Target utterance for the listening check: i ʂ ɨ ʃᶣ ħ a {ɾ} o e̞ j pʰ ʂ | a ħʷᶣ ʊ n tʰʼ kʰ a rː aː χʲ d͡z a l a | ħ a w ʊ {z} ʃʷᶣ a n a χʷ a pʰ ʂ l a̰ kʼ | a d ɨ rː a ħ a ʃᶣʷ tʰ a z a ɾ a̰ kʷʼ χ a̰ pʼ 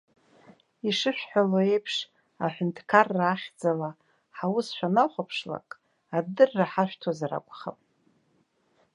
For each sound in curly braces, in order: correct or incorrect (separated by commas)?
incorrect, incorrect